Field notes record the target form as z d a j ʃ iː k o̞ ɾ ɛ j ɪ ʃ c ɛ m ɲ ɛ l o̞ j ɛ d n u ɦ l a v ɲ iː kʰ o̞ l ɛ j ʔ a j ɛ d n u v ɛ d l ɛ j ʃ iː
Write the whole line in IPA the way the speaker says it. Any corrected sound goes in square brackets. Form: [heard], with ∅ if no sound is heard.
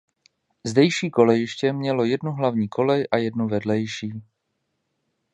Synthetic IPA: z d [ɛ] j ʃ iː k o̞ [l] ɛ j ɪ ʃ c ɛ m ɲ ɛ l o̞ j ɛ d n u ɦ l a v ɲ iː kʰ o̞ l ɛ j ʔ a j ɛ d n u v ɛ d l ɛ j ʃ iː